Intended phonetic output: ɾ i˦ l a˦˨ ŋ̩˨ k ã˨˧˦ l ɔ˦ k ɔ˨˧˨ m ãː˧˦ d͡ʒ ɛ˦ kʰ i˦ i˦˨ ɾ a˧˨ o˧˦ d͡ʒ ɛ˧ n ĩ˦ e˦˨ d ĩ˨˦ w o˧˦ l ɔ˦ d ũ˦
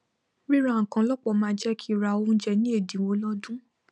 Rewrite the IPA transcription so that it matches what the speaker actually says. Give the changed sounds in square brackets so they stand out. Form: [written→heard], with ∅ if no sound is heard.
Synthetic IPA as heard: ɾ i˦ [l→ɾ] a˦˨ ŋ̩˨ k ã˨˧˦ l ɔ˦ [k→k͡p] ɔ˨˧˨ m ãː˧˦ d͡ʒ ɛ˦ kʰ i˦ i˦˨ ɾ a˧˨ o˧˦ d͡ʒ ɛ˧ n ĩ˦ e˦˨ d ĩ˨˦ w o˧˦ l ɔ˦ d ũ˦